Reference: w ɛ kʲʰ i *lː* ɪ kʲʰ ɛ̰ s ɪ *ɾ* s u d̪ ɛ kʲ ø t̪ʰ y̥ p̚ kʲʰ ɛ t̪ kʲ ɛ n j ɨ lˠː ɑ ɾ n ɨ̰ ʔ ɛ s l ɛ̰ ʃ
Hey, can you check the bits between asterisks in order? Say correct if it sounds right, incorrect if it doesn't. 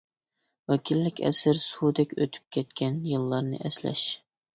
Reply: correct, correct

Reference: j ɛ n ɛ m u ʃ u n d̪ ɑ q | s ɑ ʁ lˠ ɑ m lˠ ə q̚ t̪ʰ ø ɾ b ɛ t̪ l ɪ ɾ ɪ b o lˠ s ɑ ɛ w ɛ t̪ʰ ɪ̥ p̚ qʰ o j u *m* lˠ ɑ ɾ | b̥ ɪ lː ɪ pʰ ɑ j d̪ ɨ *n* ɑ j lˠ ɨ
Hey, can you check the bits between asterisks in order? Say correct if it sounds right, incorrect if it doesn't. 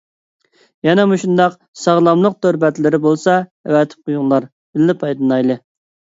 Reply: incorrect: ŋ, correct

